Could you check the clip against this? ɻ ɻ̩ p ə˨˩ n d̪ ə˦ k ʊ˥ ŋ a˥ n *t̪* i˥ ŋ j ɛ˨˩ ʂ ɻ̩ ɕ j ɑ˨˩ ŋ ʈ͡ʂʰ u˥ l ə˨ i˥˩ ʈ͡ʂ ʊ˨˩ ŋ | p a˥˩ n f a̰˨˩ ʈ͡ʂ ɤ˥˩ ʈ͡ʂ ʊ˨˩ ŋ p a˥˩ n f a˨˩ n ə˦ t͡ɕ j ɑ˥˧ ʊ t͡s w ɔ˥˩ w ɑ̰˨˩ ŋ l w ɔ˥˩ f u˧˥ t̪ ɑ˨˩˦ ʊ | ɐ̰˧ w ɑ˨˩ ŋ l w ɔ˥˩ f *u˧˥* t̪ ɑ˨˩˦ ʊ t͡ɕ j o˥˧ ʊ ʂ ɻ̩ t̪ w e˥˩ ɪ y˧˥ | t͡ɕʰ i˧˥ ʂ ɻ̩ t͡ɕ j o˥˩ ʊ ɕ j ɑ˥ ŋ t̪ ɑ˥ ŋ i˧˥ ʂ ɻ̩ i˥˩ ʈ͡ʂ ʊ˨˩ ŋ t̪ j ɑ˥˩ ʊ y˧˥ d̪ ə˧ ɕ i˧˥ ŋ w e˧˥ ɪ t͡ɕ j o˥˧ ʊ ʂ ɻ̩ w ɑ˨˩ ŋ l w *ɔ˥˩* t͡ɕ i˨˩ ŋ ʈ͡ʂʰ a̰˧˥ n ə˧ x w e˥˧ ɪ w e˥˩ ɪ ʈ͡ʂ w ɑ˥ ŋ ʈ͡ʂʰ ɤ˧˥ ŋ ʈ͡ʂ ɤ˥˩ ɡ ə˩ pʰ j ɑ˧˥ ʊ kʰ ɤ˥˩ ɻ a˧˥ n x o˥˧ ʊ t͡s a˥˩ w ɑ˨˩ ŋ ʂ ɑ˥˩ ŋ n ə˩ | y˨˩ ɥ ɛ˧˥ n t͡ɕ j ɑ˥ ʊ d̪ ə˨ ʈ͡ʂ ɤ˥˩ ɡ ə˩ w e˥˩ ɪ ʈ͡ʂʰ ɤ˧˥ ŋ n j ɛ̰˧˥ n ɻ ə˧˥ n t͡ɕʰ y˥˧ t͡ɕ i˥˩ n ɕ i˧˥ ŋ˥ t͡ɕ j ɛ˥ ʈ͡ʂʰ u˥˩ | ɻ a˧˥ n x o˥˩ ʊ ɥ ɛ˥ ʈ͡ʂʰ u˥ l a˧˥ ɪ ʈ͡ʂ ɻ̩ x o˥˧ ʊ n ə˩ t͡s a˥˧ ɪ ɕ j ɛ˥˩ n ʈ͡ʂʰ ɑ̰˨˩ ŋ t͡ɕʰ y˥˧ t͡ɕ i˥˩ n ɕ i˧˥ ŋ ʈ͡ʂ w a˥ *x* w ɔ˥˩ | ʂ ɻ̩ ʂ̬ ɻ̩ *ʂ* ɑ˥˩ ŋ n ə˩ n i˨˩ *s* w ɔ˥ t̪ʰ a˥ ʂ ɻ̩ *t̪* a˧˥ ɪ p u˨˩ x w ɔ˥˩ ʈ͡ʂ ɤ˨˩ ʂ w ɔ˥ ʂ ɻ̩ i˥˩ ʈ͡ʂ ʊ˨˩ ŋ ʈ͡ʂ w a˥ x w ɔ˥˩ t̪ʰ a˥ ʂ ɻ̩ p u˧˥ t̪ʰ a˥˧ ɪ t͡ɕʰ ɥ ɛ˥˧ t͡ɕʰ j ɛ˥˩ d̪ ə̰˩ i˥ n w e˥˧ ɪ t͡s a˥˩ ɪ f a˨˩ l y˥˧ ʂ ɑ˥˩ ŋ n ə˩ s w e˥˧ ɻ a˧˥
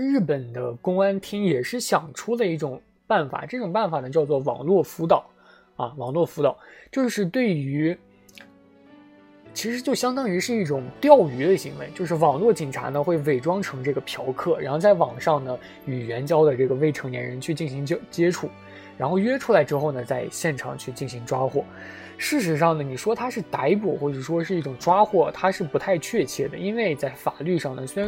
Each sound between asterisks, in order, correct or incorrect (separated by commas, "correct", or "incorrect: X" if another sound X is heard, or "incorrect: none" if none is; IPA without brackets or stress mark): incorrect: t̪ʰ, correct, correct, correct, correct, incorrect: ʂ, correct